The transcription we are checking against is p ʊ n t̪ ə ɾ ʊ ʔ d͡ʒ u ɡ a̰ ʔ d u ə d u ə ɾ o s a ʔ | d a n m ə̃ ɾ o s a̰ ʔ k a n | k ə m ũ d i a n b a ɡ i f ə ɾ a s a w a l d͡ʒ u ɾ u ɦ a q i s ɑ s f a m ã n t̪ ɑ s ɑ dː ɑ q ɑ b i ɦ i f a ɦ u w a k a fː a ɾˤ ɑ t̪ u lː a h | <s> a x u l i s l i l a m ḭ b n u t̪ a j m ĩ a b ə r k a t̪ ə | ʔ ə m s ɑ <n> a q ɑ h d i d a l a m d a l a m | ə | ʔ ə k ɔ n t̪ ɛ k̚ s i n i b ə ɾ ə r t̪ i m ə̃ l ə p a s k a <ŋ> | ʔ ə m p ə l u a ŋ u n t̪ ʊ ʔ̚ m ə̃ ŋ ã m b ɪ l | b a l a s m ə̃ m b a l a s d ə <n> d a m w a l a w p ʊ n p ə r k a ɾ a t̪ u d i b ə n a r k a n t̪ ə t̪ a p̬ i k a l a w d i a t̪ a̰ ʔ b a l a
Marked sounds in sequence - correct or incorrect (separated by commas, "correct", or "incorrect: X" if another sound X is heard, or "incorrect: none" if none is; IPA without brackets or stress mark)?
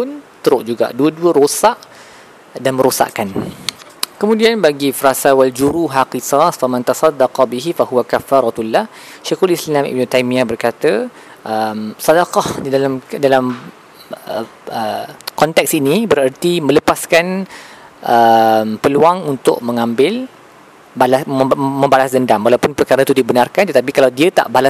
incorrect: ʃ, incorrect: d, incorrect: n, correct